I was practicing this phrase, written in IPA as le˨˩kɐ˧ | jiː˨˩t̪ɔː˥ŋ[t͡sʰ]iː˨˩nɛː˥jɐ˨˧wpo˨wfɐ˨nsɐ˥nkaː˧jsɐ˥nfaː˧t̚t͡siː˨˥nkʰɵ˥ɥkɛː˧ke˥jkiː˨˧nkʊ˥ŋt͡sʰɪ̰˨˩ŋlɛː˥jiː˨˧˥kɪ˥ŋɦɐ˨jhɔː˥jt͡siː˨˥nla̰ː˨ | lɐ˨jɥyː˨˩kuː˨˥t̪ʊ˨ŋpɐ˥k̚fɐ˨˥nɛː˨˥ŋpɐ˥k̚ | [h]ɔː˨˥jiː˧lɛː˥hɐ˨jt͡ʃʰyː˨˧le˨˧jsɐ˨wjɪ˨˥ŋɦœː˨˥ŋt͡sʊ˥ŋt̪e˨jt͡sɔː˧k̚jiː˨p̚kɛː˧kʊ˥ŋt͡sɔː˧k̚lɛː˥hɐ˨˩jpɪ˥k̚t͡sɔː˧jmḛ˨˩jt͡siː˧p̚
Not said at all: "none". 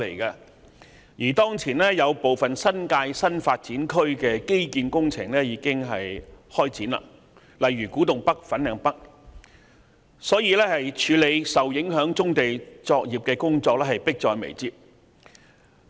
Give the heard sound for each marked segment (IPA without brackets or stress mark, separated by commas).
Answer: t͡sʰ, s